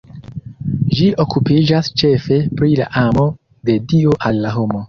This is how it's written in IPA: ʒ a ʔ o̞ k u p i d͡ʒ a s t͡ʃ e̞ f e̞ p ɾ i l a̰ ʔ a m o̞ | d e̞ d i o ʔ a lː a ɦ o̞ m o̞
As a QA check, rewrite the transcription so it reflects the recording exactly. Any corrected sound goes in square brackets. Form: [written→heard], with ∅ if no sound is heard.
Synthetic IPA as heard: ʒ [a→i] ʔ o̞ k u p i d͡ʒ a s t͡ʃ e̞ f e̞ p ɾ i l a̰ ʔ a m o̞ | d e̞ d i o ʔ a lː a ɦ o̞ m o̞